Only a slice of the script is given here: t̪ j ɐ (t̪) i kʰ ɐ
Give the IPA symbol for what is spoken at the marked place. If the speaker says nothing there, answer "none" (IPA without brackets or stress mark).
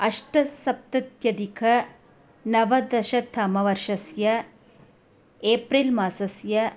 d̪